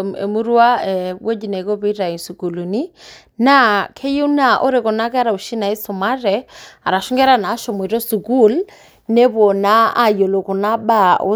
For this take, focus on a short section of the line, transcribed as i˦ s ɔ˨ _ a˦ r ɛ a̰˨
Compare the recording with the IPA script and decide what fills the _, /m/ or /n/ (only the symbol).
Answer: m